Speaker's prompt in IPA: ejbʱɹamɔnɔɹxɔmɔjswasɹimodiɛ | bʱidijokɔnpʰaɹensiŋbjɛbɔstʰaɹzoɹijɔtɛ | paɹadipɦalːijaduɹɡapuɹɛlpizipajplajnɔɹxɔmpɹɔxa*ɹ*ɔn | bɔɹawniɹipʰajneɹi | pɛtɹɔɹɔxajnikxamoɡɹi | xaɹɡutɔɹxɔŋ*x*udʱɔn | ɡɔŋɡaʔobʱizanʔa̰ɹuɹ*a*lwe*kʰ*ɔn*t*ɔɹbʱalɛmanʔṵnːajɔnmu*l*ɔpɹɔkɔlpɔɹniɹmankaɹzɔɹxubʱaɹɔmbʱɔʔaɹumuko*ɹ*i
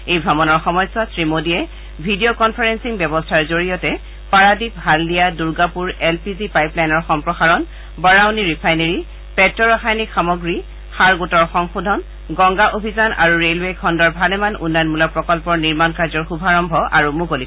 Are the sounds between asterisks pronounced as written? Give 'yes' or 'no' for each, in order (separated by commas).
yes, yes, no, yes, no, yes, no